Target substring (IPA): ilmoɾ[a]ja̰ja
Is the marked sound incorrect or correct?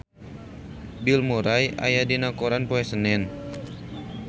correct